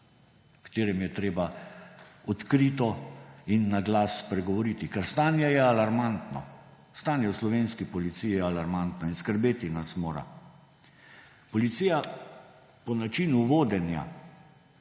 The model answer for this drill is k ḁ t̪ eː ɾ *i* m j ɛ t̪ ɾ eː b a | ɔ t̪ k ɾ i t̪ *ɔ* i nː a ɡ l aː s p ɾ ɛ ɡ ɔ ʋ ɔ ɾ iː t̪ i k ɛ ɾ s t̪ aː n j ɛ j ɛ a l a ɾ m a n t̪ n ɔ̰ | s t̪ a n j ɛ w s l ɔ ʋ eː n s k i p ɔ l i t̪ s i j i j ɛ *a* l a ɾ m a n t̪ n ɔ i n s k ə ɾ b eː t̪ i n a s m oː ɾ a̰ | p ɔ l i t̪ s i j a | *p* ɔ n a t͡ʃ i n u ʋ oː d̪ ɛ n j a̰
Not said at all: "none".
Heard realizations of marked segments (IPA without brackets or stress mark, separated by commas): ɛ, ɔ, a, p